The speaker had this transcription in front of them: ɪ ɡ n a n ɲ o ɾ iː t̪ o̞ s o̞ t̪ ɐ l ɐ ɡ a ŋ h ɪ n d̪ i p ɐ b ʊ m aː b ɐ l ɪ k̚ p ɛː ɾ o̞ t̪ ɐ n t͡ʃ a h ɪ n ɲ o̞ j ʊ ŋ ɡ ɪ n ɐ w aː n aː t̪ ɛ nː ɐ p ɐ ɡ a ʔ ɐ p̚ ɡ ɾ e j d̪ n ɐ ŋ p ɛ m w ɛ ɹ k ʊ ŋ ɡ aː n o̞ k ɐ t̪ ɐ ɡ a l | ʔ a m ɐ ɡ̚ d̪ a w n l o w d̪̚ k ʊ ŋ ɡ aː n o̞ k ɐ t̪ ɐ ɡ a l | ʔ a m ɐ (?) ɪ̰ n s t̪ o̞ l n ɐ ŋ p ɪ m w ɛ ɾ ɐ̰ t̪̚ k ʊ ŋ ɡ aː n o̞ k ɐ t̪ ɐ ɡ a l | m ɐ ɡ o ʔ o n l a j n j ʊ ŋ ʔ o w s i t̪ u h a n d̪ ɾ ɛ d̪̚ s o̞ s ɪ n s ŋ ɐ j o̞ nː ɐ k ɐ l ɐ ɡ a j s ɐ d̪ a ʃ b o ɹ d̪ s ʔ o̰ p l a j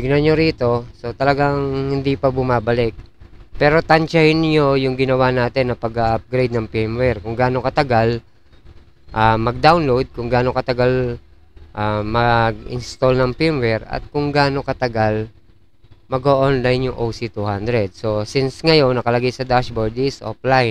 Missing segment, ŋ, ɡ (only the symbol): ɡ